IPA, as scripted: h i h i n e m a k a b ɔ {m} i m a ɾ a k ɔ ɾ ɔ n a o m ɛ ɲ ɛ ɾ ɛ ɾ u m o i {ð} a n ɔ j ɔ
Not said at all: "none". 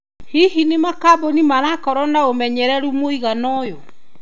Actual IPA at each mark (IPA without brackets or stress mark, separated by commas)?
n, ɣ